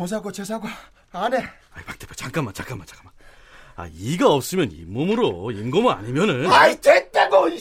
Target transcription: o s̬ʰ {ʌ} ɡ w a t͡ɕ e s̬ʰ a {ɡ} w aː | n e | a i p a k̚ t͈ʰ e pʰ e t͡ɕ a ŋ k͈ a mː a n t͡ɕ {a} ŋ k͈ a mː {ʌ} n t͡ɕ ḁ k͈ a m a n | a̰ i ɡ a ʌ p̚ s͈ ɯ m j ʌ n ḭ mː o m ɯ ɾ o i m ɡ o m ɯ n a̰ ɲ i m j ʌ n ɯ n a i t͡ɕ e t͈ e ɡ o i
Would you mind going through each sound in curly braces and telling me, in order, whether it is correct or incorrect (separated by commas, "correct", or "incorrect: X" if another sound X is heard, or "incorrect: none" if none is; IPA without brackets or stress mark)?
incorrect: a, correct, correct, incorrect: a